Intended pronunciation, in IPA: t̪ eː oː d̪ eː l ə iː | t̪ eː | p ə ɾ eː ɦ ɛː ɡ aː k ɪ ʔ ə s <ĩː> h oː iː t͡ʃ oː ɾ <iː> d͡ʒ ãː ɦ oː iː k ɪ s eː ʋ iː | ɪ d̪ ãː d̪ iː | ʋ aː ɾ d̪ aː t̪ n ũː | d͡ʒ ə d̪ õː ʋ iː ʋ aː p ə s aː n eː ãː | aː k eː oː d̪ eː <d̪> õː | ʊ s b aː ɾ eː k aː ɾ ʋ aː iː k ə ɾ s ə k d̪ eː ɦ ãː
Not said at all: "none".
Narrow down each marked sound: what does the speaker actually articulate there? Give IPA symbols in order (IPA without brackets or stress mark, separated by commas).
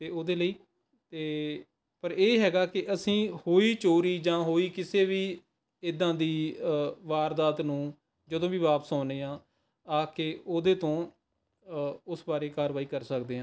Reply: ĩː, iː, t̪